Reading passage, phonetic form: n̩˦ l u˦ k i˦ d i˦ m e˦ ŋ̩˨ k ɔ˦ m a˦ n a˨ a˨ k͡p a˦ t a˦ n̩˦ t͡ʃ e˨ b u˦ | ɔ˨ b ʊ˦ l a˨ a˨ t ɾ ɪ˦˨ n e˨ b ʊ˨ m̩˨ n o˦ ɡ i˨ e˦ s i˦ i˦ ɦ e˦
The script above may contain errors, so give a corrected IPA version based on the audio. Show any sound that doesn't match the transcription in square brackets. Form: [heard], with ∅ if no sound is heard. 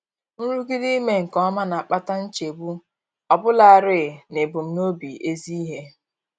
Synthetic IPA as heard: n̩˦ [ɾ] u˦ [ɡ] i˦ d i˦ m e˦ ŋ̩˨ k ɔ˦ m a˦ n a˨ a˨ k͡p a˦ t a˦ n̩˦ t͡ʃ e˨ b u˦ | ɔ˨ b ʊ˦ l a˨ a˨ [∅] ɾ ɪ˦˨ n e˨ b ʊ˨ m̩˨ n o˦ [b] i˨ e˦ [z] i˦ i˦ ɦ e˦

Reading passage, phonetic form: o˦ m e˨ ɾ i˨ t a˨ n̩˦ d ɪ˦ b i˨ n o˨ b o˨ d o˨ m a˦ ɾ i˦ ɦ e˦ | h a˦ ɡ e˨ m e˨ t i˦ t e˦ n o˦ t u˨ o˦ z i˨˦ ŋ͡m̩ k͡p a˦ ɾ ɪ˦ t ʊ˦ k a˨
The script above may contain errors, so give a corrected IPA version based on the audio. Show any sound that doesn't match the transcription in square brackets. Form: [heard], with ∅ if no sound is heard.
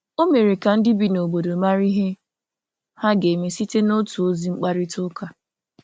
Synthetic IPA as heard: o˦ m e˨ ɾ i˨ [k] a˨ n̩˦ d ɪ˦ b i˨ n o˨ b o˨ d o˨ m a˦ ɾ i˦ ɦ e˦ | h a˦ ɡ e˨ m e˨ [s] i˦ t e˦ n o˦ t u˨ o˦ z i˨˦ ŋ͡m̩ k͡p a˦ ɾ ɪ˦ t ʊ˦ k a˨

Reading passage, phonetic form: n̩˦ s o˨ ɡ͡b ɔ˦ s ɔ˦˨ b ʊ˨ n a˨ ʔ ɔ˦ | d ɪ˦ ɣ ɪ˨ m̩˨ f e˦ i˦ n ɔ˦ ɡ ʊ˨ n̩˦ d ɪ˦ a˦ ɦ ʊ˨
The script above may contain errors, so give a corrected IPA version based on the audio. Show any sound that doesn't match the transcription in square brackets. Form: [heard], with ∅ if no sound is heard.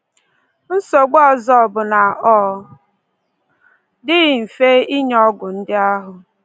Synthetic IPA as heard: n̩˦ s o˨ ɡ͡b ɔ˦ [z] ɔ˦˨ b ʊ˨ n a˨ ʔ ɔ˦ | d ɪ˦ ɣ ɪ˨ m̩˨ f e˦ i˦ [ɲ] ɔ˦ ɡ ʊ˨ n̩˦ d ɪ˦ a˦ ɦ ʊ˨

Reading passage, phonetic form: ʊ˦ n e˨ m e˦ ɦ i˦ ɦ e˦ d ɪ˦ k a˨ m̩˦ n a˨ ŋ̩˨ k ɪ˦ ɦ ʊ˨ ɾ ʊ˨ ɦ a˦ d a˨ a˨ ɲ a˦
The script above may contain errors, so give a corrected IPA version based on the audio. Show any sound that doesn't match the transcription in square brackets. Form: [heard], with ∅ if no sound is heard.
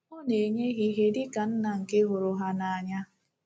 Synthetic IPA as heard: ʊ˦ n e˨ [ɲ] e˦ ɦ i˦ ɦ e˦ d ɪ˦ k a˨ [n̩˦] n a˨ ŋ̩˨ k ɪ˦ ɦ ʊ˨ ɾ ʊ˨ ɦ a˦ [n] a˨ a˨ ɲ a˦

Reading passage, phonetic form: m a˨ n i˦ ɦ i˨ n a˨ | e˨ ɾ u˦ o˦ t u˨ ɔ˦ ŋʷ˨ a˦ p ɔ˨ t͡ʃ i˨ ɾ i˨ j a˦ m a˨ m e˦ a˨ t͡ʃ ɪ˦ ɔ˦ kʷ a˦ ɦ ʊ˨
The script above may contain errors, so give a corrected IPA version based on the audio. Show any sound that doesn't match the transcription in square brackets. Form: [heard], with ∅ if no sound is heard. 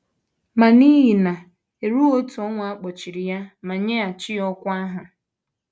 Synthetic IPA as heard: m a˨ n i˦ ɦ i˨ n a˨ | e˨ ɾ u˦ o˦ t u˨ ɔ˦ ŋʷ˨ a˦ [k͡p] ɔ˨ t͡ʃ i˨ ɾ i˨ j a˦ m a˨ [ɲ] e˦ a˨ t͡ʃ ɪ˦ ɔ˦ kʷ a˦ ɦ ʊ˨

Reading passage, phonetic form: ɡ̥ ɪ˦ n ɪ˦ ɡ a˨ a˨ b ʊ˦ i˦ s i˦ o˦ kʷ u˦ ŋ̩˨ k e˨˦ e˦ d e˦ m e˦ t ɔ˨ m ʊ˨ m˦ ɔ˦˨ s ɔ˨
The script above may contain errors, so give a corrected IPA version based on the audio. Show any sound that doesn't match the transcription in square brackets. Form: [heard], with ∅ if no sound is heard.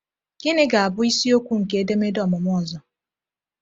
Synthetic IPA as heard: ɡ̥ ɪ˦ n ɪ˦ ɡ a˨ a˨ b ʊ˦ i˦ s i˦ o˦ kʷ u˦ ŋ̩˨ k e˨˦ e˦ d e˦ m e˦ [d] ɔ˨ m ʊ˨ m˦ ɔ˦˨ [z] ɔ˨

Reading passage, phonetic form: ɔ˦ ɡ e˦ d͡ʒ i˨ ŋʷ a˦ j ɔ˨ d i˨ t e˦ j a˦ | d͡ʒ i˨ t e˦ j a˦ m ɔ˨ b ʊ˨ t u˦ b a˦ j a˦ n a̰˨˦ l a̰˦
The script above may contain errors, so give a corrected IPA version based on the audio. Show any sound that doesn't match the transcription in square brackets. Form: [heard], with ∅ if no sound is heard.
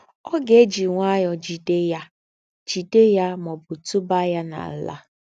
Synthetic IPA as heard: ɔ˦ ɡ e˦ d͡ʒ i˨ ŋʷ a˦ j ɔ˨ [d͡ʒ] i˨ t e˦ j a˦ | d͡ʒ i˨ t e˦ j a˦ m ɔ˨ b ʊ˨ t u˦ b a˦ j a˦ n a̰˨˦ l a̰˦

